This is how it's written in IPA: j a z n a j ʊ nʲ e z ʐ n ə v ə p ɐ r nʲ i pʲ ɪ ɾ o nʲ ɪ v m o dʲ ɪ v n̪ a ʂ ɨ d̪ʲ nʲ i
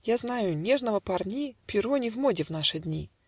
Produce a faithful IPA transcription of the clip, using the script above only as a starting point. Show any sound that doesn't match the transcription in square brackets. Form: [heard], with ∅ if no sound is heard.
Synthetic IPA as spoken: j a z n a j ʊ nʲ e [∅] ʐ n ə v ə p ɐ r nʲ i pʲ ɪ ɾ o nʲ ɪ v m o dʲ ɪ v n̪ a ʂ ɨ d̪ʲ nʲ i